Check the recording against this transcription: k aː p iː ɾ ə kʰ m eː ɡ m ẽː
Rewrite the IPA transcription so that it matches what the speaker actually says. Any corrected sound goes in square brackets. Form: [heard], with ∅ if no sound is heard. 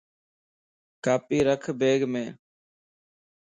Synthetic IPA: k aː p iː ɾ ə kʰ [b] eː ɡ m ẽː